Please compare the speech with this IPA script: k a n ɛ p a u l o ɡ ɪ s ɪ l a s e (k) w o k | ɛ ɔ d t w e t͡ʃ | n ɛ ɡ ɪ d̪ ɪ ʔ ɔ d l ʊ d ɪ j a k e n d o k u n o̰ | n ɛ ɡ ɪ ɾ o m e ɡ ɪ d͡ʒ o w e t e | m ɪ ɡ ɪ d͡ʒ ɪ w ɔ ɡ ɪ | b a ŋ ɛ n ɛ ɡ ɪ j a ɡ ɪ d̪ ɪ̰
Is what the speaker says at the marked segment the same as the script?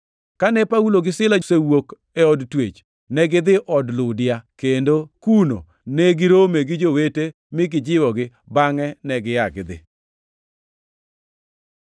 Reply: no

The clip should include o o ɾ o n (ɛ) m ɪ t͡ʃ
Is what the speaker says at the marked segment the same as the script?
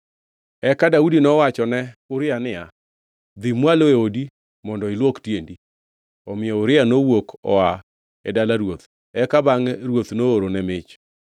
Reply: yes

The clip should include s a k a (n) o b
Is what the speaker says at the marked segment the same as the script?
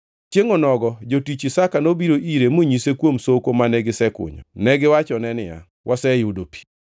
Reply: yes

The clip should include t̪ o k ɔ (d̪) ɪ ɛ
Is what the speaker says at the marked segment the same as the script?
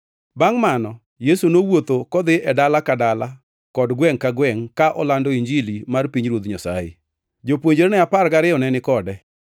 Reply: yes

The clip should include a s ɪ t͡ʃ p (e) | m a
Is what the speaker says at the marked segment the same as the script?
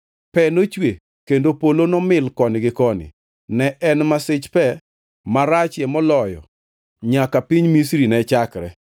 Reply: no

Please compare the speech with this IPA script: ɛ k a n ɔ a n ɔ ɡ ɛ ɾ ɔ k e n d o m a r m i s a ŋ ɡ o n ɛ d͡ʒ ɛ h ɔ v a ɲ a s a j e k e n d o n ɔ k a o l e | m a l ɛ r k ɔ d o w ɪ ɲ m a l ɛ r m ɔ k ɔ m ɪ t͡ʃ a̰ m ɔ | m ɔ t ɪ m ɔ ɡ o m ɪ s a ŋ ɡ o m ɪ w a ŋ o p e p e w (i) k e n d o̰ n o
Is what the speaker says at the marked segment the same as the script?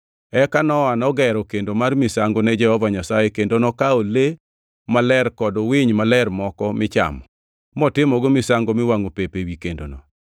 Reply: yes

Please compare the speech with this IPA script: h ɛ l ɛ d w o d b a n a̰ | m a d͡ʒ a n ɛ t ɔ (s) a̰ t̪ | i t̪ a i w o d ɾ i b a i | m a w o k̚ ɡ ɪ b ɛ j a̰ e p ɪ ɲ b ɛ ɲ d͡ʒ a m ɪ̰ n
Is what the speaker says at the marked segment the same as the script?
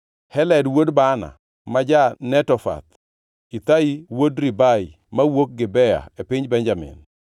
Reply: no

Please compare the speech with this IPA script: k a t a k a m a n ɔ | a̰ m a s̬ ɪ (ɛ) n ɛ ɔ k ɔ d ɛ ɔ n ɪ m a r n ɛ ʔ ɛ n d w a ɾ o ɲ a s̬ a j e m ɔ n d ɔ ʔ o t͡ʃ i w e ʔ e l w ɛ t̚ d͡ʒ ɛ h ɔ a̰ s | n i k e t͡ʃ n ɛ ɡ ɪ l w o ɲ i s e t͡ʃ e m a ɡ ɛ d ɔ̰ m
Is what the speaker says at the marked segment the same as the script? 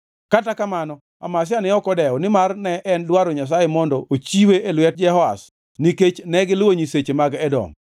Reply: no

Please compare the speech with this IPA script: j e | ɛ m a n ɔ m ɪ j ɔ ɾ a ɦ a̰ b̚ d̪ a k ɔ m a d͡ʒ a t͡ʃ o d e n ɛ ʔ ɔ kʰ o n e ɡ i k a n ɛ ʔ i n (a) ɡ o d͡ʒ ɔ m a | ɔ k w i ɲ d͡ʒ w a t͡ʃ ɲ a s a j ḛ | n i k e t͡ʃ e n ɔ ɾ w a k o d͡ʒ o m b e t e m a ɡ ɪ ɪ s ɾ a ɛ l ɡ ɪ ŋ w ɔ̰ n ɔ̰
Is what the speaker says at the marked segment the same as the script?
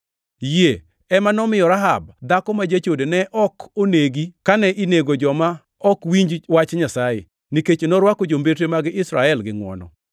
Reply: no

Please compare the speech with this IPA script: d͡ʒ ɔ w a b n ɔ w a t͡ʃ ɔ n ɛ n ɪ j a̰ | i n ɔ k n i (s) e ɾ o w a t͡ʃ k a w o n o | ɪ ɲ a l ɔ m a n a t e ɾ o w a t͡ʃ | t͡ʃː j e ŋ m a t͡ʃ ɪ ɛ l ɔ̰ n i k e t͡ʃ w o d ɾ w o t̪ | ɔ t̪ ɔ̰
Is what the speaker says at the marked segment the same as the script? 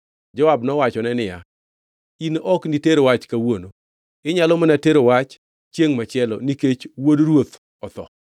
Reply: no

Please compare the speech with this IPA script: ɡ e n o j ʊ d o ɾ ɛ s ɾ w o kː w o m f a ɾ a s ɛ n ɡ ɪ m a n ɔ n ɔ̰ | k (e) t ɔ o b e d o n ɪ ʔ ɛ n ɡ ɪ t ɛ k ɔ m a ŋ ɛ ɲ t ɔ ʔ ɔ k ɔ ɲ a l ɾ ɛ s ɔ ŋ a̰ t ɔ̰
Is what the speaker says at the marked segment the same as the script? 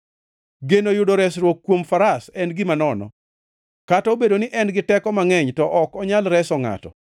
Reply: no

